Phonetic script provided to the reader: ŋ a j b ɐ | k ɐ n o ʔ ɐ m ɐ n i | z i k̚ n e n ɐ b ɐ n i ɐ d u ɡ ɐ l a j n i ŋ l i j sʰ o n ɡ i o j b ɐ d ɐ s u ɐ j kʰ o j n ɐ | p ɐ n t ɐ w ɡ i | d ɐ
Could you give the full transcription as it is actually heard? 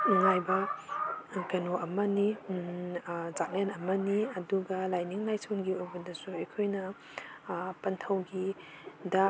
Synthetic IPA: ŋ a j b ɐ | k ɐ n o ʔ ɐ m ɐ n i | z a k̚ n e n ɐ m ɐ n i ɐ d u ɡ ɐ l a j n i ŋ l a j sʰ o n ɡ i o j b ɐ d ɐ s u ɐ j kʰ o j n ɐ | p ɐ n tʰ ɐ w ɡ i | d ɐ